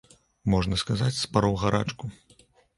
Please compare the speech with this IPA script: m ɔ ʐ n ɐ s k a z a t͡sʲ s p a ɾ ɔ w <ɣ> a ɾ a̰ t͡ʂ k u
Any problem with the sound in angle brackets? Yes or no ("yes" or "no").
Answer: no